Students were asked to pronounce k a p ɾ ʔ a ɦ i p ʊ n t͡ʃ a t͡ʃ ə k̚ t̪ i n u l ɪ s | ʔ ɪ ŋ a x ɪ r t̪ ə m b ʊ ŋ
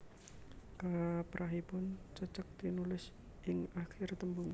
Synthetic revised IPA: k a p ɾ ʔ a ɦ i p ʊ n t͡ʃ ə t͡ʃ ə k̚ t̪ i n u l ɪ s | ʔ ɪ ŋ a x ɪ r t̪ ə m b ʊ ŋ

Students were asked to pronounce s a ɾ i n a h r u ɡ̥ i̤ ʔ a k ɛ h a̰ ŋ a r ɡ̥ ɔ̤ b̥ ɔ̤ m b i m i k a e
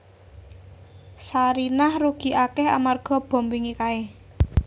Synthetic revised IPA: s a ɾ i n a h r u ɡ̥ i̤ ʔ a k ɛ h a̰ m a r ɡ̥ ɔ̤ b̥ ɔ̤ m b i ŋ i k a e

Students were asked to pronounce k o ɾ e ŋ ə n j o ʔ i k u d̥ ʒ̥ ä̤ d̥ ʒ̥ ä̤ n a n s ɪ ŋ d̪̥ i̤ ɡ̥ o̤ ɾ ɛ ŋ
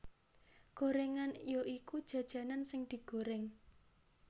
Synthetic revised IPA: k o ɾ e ŋ a n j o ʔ i k u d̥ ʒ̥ ä̤ d̥ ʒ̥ ä̤ n a n s ɪ ŋ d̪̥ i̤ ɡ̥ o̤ ɾ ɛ ŋ

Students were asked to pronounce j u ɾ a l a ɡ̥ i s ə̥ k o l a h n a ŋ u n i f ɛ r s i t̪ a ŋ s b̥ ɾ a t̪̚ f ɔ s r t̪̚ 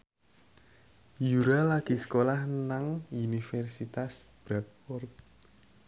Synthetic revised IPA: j u ɾ a l a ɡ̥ i s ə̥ k o l a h n a ŋ u n i f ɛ r s i t̪ a s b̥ ɾ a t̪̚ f ɔ r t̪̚

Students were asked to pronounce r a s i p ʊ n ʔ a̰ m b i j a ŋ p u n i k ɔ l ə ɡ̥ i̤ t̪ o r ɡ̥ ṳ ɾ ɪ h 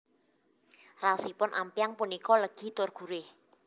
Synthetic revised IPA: r a s i p ʊ n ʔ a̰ m p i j a ŋ p u n i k ɔ l ə ɡ̥ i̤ t̪ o r ɡ̥ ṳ ɾ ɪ h

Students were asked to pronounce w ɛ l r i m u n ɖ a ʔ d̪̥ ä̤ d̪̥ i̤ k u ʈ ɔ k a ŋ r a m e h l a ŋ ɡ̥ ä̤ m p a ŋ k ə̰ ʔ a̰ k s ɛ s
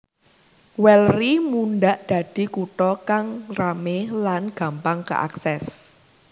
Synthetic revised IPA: w ɛ l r i m u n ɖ a ʔ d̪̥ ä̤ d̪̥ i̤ k u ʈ ɔ k a ŋ r a m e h l a n ɡ̥ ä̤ m p a ŋ k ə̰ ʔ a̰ k s ɛ s

